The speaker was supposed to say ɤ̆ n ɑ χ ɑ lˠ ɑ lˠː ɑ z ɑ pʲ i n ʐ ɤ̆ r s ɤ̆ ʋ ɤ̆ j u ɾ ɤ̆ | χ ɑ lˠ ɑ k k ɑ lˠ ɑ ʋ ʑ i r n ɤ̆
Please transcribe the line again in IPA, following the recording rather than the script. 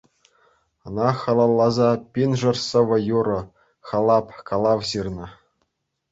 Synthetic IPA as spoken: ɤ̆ n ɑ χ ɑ lˠ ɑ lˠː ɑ z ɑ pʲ i n ʐ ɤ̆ r s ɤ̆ ʋ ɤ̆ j u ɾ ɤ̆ | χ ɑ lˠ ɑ p k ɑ lˠ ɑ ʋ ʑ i r n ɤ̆